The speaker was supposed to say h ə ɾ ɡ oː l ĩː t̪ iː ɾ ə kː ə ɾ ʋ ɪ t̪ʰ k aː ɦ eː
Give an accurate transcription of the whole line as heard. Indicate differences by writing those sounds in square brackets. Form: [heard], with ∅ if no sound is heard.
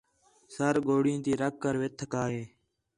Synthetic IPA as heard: [s] ə ɾ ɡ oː [ɽ] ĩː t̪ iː ɾ ə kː ə ɾ ʋ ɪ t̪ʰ k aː ɦ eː